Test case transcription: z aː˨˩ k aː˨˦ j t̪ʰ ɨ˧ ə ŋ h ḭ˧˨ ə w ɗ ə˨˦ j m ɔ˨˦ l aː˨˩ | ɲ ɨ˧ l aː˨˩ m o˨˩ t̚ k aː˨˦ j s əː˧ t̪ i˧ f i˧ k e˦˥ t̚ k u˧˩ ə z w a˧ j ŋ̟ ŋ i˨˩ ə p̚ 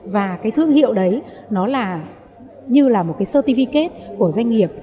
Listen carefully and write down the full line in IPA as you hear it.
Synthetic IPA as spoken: v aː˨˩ k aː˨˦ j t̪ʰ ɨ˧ ə ŋ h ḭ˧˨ ə w ɗ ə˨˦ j n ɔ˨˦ l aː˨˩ | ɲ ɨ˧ l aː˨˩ m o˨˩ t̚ k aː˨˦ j s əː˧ t̪ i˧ f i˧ k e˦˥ t̚ k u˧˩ ə z w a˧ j ŋ̟ ŋ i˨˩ ə p̚

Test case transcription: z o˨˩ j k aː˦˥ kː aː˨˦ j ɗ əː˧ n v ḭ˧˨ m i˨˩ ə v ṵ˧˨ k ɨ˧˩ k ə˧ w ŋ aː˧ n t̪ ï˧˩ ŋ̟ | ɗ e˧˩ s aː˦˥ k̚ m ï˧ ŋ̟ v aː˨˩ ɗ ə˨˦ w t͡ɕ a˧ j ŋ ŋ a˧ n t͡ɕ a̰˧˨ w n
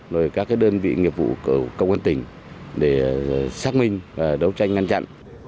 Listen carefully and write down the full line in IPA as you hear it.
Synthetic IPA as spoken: z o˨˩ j k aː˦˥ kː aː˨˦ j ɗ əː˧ n v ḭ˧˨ ŋ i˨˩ ə v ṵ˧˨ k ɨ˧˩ k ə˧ w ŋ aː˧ n t̪ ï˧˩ ŋ̟ | ɗ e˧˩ s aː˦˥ k̚ m ï˧ ŋ̟ v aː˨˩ ɗ ə˨˦ w t͡ɕ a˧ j ŋ ŋ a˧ n t͡ɕ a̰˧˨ n

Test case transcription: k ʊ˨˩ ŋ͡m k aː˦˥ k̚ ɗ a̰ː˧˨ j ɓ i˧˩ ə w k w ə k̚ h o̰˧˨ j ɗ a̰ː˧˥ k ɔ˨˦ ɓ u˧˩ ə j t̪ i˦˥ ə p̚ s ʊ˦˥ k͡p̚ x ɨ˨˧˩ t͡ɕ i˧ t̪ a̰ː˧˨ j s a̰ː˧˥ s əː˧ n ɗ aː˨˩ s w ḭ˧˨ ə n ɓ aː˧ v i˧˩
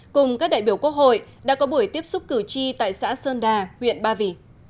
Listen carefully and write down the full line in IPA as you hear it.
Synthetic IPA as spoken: k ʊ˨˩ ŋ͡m k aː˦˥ k̚ ɗ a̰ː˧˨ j ɓ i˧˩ ə w k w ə k̚ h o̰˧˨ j ɗ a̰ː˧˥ k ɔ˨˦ ɓ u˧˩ ə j t̪ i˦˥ ə p̚ s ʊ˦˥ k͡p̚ k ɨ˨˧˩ t͡ɕ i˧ t̪ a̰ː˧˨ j s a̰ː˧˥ s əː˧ n ɗ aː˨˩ h w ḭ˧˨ ə n ɓ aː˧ v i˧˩

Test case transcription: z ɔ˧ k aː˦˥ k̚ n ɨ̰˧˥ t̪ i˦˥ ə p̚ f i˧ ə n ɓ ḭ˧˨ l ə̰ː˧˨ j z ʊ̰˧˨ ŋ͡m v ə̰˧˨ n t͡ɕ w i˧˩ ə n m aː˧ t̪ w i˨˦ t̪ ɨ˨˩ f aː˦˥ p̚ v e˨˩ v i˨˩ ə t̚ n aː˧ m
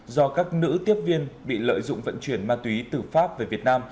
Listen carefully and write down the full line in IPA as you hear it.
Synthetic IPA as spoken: z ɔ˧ k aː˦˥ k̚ n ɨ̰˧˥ t̪ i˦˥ ə p̚ v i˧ ə n ɓ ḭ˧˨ l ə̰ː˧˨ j z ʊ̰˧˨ ŋ͡m v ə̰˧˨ n t͡ɕ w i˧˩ ə n m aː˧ t̪ w i˨˦ t̪ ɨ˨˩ f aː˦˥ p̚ v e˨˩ v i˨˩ ə t̚ n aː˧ m

